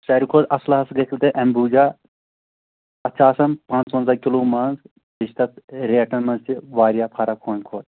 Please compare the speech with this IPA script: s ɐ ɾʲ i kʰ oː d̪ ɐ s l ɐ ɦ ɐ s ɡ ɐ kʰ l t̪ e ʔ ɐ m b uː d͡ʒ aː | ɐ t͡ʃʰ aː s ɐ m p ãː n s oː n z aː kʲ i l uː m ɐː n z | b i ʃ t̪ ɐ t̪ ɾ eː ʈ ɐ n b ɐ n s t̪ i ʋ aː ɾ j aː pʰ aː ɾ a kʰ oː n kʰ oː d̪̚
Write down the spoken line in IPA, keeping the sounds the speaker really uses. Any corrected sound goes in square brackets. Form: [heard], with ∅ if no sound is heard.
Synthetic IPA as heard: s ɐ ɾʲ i kʰ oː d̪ ɐ s l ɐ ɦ ɐ s ɡ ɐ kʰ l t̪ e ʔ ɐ m b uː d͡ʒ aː | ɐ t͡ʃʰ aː s ɐ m p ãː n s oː n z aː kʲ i l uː m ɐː n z | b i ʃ t̪ ɐ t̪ ɾ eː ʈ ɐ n [m] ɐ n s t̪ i ʋ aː ɾ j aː pʰ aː ɾ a kʰ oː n kʰ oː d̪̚